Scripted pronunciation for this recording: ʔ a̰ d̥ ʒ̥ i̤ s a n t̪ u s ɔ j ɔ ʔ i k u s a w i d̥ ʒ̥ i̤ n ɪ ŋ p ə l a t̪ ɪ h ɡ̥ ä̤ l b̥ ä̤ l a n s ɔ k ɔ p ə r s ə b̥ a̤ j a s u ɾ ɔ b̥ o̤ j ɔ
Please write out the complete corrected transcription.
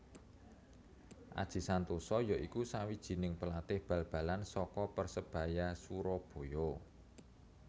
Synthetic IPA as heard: ʔ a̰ d̥ ʒ̥ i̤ s a n t̪ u s ɔ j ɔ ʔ i k u s a w i d̥ ʒ̥ i̤ n ɪ ŋ p ə l a t̪ ɪ h b̥ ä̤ l b̥ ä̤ l a n s ɔ k ɔ p ə r s ə b̥ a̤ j a s u ɾ ɔ b̥ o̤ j ɔ